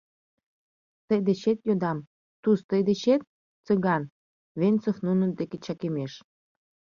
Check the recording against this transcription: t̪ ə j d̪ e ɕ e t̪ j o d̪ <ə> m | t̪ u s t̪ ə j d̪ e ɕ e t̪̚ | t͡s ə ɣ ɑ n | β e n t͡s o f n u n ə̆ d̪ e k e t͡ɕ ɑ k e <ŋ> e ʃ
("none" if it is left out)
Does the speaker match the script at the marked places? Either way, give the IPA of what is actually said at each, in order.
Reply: ɑ, m

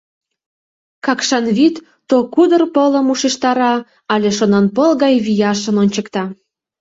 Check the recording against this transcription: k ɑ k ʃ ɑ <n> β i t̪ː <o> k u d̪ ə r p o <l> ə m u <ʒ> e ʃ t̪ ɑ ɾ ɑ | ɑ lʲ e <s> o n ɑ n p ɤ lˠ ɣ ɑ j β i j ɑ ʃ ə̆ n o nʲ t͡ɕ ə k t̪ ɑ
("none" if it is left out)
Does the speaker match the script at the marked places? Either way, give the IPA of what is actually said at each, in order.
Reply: n, o, l, ʃ, ʃ

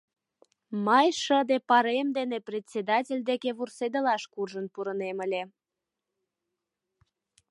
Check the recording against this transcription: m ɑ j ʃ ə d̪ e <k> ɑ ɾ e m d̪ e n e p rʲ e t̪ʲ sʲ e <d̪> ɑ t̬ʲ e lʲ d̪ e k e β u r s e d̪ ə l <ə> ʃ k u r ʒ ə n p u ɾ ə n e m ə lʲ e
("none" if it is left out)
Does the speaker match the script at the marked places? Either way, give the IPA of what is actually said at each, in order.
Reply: p, d̪, ɑ

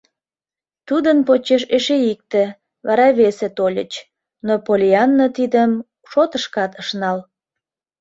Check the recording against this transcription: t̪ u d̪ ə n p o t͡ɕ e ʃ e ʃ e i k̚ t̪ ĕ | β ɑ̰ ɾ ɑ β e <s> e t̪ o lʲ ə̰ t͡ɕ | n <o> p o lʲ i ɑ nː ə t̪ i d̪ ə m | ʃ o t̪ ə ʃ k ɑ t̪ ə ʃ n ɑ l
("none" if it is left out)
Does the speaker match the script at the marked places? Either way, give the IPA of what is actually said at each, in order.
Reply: s, o

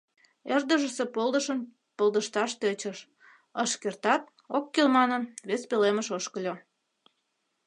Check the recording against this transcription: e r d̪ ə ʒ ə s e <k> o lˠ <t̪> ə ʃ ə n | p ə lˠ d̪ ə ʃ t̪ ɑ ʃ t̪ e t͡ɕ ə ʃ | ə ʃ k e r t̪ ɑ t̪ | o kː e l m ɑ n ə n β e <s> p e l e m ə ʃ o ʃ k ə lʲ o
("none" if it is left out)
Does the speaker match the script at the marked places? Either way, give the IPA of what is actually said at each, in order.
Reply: p, d̪, s

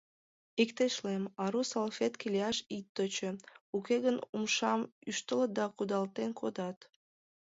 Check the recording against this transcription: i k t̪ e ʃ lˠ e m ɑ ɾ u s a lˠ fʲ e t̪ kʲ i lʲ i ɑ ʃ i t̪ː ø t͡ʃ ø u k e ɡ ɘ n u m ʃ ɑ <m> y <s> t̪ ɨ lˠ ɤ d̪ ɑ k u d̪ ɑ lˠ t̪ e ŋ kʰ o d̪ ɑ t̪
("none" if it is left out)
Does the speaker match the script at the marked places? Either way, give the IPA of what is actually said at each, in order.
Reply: m, ʃ

